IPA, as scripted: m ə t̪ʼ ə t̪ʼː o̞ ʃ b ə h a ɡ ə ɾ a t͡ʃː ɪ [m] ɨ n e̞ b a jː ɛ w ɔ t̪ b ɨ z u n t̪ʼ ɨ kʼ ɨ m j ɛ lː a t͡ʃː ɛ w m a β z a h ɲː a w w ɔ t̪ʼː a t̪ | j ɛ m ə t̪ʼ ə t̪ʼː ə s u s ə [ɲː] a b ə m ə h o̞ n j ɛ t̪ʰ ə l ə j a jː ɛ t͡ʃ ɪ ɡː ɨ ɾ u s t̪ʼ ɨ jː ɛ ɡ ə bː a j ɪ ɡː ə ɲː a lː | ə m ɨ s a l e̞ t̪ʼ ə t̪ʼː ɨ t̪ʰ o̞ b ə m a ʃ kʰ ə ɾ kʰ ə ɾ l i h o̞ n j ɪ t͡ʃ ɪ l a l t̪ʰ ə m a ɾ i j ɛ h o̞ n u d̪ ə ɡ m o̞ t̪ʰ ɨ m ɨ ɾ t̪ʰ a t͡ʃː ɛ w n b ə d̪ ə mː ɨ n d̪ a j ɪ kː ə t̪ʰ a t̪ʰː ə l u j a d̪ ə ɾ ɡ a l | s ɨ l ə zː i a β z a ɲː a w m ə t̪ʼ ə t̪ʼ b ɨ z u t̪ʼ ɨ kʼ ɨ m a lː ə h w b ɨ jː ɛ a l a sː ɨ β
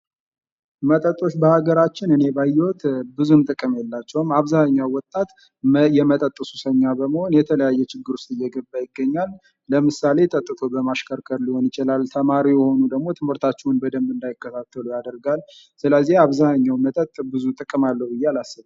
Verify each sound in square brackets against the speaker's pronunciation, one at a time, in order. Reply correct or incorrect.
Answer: incorrect, correct

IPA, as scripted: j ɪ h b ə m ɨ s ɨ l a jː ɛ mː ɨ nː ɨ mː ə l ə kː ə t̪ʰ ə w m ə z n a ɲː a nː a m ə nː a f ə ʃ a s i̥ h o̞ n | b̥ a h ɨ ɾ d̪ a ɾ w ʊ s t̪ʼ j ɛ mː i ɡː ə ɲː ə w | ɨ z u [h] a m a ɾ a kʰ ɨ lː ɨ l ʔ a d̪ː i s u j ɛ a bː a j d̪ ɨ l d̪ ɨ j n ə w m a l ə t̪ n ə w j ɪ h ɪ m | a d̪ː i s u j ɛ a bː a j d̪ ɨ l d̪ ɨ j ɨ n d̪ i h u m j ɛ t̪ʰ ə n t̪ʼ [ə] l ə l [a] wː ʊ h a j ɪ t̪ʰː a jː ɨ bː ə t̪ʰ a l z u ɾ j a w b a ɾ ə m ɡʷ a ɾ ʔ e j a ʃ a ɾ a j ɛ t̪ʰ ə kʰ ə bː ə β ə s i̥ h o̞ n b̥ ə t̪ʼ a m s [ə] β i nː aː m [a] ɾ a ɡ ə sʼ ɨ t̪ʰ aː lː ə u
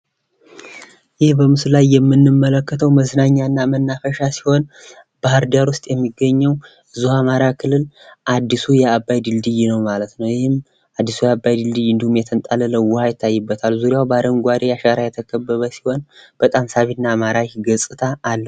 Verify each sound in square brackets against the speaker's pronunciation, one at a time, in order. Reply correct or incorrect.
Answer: correct, incorrect, incorrect, incorrect, correct

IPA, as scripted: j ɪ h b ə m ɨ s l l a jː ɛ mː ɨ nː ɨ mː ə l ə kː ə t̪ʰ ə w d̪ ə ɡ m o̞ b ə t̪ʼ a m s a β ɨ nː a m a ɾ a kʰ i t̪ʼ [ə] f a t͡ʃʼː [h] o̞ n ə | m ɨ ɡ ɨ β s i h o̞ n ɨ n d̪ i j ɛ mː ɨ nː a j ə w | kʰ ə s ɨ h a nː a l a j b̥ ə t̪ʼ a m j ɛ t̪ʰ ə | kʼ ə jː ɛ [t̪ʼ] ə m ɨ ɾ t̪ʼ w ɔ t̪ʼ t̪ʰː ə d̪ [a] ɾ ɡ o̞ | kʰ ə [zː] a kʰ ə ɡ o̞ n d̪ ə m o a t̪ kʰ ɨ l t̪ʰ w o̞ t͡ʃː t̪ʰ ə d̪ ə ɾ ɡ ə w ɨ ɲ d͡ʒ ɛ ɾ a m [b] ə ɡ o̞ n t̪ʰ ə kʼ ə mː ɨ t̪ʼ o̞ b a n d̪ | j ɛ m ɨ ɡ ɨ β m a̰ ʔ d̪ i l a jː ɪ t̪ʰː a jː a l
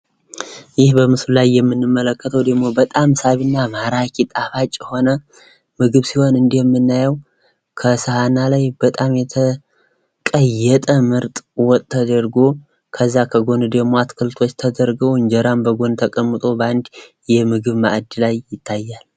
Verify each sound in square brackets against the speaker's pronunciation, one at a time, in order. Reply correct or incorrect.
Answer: incorrect, correct, correct, incorrect, correct, correct

